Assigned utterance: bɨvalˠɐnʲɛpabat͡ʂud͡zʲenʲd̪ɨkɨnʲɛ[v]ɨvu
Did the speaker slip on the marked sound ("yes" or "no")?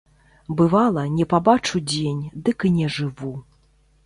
yes